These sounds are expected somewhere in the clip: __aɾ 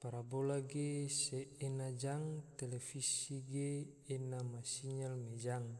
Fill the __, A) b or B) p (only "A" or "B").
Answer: B